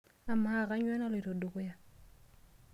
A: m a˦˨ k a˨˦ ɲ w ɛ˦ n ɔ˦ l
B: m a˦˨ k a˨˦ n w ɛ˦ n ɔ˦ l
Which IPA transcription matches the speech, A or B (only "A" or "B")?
A